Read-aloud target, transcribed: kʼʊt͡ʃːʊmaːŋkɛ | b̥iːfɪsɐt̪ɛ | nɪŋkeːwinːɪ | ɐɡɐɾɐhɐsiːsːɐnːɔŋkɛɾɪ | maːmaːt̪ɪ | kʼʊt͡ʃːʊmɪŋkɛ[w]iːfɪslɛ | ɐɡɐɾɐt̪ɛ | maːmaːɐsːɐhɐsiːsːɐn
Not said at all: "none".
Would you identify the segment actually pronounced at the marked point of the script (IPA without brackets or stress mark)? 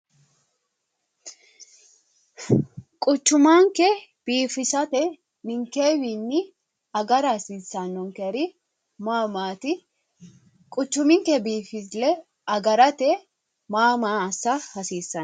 b